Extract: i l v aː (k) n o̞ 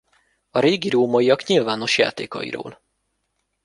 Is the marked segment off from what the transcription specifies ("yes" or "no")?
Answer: yes